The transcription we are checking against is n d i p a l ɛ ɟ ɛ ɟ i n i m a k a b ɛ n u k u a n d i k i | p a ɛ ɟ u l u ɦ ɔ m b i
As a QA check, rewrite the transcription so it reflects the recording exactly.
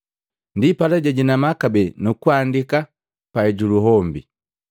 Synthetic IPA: n d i p a l ɛ ɟ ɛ ɟ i n a m a k a b ɛ n u k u a n d i k a | p a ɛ ɟ u l u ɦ ɔ m b i

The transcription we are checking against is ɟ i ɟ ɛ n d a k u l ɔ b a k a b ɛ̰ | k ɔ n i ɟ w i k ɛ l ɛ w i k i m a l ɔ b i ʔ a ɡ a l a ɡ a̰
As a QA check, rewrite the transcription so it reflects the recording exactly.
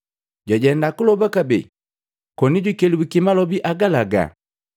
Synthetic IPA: ɟ a ɟ ɛ n d a k u l ɔ b a k a b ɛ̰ | k ɔ n i ɟ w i k ɛ l i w i k i m a l ɔ b i ʔ a ɡ a l a ɡ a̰

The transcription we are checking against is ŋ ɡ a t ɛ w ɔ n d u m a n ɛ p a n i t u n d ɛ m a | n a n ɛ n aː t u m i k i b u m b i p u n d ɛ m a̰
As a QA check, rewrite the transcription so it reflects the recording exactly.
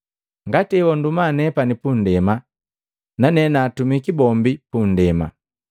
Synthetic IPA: ŋ ɡ a t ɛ w ɔ n d u m a n ɛ p a n i p u n d ɛ m a | n a n ɛ n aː t u m i k i b ɔ m b i p u n d ɛ m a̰

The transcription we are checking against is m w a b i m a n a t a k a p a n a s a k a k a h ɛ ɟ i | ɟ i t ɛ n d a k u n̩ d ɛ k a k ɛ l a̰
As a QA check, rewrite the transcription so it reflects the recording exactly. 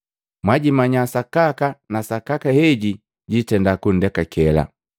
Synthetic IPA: m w a ɟ i m a ɲ a s a k a k a n a s a k a k a h ɛ ɟ i | ɟ i t ɛ n d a k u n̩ d ɛ k a k ɛ l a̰

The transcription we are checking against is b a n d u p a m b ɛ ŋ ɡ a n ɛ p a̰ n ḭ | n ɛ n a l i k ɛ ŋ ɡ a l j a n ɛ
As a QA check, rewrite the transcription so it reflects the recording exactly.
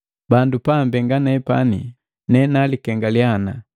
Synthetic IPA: b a n d u p a m b ɛ ŋ ɡ a n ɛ p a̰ n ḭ | n ɛ n a l i k ɛ ŋ ɡ a l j a n a

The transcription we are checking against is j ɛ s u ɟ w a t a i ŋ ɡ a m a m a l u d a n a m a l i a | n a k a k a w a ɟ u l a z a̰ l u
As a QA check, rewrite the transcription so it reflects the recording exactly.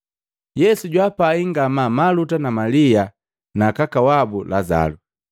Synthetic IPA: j ɛ s u ɟ w a p a i ŋ ɡ a m a m a l u t a n a m a l i a | n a k a k a w a b u l a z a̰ l u

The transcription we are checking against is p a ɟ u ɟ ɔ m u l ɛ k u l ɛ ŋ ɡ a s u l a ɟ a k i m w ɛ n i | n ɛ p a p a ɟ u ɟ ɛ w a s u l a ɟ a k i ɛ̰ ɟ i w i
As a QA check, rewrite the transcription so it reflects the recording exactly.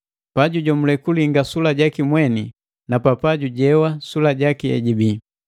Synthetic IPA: p a ɟ u ɟ ɔ m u l ɛ k u l i ŋ ɡ a s u l a ɟ a k i m w ɛ n i | n a p a p a ɟ u ɟ ɛ w a s u l a ɟ a k i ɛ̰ ɟ i b i

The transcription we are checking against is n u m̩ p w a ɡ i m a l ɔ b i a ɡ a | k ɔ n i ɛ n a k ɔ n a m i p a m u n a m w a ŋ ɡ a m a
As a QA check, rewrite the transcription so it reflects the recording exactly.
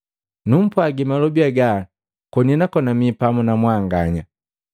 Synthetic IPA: n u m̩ p w a ɡ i m a l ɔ b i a ɡ a | k ɔ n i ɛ n a k ɔ n a m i p a m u n a m w a ŋ ɡ a ɲ a

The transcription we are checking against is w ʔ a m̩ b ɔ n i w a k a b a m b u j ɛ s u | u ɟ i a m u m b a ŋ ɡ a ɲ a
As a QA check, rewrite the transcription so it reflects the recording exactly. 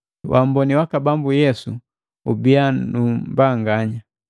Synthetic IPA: w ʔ a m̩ b ɔ n i w a k a b a m b u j ɛ s u | u b i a n u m b a ŋ ɡ a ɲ a

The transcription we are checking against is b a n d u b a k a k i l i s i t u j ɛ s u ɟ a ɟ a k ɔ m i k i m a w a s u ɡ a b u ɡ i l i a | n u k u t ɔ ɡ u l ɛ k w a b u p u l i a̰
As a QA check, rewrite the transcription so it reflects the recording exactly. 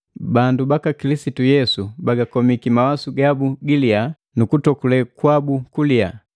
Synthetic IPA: b a n d u b a k a k i l i s i t u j ɛ s u b a ɡ a k ɔ m i k i m a w a s u ɡ a b u ɡ i l i a | n u k u t ɔ k u l ɛ k w a b u k u l i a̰

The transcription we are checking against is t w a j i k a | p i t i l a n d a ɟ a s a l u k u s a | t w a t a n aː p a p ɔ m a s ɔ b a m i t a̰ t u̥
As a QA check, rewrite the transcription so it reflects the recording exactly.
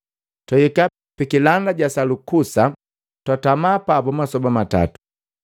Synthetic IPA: t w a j i k a | p i k i l a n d a ɟ a s a l u k u s a | t w a t a m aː p a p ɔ m a s ɔ b a m a t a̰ t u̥

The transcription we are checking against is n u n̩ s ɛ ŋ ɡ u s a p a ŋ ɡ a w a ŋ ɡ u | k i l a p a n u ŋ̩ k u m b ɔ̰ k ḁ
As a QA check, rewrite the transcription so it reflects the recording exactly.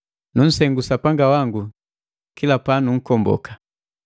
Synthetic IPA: n u n̩ s ɛ ŋ ɡ u s a p a ŋ ɡ a w a ŋ ɡ u | k i l a p a n u ŋ̩ k ɔ m b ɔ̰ k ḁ

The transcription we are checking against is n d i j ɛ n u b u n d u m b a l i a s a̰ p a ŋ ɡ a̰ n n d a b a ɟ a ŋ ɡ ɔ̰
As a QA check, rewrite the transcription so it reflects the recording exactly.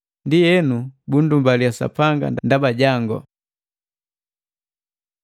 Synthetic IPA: n d i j ɛ n u b u n d u m b a l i a s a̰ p a ŋ ɡ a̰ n n d a b a ɟ a ŋ ɡ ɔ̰

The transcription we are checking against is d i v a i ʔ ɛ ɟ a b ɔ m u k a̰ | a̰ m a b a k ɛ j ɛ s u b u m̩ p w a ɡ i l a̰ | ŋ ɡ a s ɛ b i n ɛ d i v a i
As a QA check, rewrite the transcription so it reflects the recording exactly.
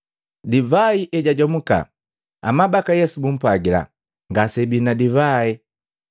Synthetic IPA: d i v a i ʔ ɛ ɟ a ɟ ɔ m u k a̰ | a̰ m a b a k a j ɛ s u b u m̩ p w a ɡ i l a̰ | ŋ ɡ a s ɛ b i n a d i v a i

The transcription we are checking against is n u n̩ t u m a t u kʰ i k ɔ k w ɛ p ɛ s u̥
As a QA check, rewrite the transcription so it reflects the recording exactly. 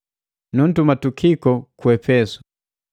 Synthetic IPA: n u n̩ t u m a t u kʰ i k ɔ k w ɛ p ɛ s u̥

